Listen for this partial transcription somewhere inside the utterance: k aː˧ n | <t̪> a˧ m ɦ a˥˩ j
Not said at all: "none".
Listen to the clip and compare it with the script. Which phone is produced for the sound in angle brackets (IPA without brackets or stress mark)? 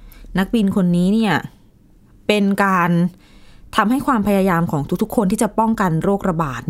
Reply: t̪ʰ